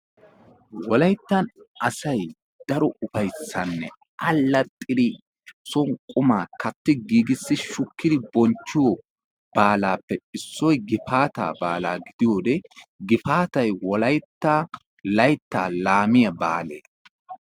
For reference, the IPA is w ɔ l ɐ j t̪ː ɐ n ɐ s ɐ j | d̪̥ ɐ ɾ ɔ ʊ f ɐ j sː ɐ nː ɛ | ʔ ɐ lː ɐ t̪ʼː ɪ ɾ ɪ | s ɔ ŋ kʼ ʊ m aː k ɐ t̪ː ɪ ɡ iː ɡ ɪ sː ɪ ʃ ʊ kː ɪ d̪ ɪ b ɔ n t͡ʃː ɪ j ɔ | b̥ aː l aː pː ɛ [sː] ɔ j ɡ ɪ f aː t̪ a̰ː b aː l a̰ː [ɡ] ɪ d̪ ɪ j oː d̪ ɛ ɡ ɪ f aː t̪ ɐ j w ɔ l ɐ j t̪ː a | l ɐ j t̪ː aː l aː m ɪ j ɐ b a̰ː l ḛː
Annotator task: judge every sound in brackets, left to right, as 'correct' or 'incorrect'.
correct, correct

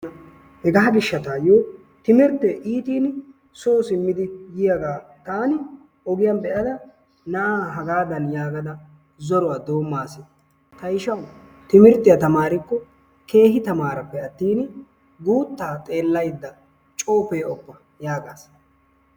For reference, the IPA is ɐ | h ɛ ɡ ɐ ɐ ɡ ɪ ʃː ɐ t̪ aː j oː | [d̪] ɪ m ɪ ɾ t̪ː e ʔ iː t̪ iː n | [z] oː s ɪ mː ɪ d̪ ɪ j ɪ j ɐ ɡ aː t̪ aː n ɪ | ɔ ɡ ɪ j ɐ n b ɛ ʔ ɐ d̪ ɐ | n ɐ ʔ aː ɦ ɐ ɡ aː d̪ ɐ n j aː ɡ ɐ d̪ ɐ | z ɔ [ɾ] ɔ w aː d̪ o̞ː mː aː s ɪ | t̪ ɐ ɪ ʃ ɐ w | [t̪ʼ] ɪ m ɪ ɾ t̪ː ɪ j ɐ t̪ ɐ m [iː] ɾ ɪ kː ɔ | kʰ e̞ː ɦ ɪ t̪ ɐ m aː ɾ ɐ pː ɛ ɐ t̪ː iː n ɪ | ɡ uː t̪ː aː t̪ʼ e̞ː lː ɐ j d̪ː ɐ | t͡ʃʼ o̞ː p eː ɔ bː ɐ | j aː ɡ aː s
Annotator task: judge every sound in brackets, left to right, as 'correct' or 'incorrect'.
incorrect, incorrect, correct, incorrect, incorrect

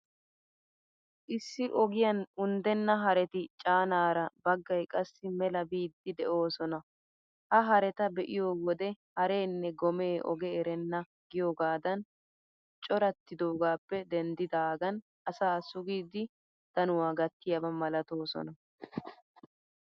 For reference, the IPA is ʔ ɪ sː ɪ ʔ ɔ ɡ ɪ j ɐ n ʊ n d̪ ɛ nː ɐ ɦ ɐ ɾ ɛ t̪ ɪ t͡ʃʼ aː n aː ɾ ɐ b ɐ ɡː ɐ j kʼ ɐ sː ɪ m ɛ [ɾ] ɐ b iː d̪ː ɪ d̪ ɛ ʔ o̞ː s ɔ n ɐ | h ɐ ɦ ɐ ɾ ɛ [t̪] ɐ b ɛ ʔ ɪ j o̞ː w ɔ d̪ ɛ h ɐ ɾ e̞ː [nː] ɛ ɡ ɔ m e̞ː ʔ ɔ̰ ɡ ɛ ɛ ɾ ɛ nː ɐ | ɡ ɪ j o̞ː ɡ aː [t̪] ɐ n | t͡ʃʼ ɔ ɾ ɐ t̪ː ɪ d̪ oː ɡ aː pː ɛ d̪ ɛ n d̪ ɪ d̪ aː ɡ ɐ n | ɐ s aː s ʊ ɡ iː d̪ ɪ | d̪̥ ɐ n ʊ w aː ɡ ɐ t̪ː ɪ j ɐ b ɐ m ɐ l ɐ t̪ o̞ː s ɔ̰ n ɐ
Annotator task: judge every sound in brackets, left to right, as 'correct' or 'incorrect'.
incorrect, correct, correct, incorrect

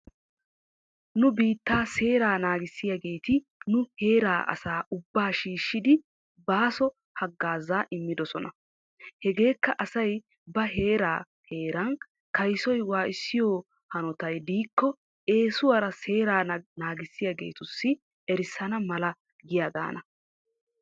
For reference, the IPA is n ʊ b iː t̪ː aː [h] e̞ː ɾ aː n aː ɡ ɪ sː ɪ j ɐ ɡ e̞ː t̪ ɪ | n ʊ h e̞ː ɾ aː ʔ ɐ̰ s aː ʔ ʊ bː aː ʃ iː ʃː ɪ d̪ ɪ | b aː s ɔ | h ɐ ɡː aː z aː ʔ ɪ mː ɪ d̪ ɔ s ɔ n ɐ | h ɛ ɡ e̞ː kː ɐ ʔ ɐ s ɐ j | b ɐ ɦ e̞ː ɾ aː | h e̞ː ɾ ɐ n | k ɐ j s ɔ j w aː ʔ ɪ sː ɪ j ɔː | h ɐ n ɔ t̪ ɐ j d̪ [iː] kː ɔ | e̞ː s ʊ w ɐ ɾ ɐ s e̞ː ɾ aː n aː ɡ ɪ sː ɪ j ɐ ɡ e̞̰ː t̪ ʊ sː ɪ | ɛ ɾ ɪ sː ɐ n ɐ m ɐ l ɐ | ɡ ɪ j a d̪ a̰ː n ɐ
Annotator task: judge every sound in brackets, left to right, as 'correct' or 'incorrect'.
incorrect, correct

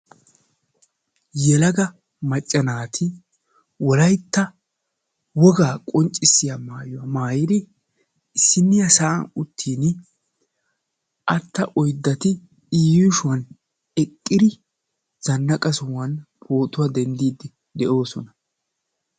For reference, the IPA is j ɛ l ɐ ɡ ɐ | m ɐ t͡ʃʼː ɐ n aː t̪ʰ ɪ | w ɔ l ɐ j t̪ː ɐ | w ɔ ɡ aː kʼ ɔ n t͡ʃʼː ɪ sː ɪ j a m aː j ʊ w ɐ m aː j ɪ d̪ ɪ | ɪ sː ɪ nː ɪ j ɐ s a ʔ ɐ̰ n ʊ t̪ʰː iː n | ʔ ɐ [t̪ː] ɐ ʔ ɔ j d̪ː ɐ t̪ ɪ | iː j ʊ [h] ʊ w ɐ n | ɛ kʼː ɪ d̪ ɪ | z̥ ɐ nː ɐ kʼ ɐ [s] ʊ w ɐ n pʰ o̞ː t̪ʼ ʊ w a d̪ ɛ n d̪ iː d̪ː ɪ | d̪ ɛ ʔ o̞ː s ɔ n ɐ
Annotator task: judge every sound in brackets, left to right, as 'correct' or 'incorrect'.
correct, incorrect, correct

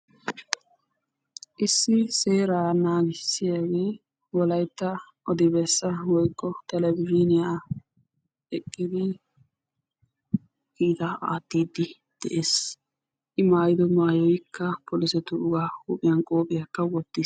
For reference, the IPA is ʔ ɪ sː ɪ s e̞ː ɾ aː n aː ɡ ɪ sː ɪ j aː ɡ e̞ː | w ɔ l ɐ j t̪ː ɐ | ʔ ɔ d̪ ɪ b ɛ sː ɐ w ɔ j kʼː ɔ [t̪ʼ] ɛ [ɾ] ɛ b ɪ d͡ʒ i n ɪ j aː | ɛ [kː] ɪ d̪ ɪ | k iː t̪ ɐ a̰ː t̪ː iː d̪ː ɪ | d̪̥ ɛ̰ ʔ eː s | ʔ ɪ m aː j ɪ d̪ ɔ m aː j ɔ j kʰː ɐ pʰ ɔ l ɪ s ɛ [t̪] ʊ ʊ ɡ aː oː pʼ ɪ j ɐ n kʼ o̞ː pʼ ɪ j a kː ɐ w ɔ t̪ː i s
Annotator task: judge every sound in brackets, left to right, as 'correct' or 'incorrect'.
incorrect, incorrect, incorrect, correct

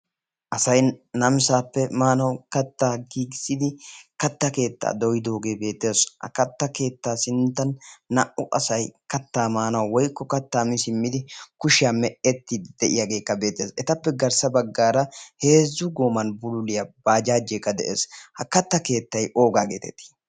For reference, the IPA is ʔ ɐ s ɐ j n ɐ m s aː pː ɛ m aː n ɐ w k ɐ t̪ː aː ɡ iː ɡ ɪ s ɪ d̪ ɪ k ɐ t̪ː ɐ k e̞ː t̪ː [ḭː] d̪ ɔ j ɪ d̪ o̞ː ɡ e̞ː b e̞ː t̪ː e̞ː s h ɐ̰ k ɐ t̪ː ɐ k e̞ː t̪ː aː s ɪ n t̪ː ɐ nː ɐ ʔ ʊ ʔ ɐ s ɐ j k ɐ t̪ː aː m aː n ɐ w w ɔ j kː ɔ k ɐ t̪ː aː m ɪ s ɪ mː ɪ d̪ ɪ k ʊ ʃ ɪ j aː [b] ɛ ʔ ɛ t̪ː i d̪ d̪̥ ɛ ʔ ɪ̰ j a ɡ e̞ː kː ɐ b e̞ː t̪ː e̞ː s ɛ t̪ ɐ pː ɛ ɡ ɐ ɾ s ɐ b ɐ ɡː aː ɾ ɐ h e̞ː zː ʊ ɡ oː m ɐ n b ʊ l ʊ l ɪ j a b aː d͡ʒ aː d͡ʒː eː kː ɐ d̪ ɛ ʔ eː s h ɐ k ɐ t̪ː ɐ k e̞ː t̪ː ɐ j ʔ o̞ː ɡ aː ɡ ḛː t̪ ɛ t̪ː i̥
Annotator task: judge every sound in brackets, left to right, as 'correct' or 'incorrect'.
incorrect, incorrect

